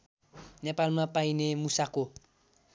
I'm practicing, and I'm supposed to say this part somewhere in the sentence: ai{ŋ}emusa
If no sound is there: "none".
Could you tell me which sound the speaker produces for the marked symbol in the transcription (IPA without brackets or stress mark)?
n